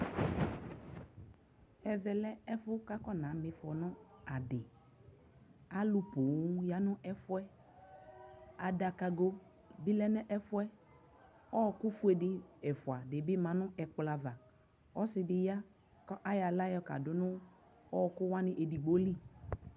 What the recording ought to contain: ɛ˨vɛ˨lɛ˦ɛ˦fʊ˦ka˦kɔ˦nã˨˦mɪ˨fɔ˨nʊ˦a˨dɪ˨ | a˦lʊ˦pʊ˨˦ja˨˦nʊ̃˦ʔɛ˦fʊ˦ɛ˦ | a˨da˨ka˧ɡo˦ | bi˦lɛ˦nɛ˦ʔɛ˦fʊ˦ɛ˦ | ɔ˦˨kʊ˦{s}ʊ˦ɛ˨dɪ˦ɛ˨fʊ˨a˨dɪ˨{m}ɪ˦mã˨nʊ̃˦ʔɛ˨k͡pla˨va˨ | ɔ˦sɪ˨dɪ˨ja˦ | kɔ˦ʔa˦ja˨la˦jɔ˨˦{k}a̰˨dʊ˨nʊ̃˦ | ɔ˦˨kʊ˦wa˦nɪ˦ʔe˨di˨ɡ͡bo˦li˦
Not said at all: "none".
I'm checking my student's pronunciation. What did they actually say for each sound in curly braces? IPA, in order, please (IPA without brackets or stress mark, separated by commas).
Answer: f, b, k